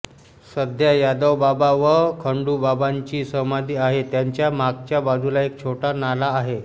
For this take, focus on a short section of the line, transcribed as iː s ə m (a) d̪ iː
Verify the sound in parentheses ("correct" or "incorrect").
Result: correct